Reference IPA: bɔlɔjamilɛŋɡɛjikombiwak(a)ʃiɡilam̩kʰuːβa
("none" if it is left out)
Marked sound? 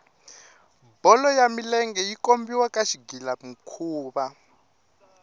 a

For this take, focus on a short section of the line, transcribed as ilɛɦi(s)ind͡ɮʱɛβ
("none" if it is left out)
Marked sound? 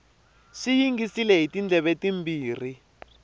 t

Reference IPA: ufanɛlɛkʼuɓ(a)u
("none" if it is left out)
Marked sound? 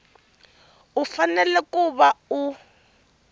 a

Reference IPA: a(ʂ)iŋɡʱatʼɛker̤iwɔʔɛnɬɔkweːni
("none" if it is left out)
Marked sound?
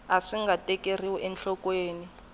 ʂ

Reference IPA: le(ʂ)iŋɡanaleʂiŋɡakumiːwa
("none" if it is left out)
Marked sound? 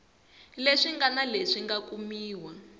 ʂ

